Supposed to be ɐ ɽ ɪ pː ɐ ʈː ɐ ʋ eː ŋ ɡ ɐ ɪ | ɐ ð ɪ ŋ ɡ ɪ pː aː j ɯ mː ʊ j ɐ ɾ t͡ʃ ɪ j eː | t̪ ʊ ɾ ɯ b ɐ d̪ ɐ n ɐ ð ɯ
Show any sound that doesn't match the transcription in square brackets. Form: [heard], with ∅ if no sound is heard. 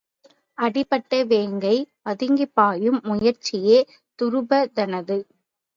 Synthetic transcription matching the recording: ɐ ɽ ɪ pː ɐ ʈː ɐ ʋ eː ŋ ɡ ɐ ɪ | ɐ ð ɪ ŋ ɡ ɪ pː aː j ɯ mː ʊ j ɐ ɾ t͡ʃ ɪ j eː | t̪ ʊ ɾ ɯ b ɐ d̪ ɐ n ɐ ð ɯ